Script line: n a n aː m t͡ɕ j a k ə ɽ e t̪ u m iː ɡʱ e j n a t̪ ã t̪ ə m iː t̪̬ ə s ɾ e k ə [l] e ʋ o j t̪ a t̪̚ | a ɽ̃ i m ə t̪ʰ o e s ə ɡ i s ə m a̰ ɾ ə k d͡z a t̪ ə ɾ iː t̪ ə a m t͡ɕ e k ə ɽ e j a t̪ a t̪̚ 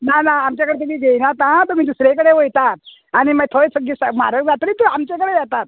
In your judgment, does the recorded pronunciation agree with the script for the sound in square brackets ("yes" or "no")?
no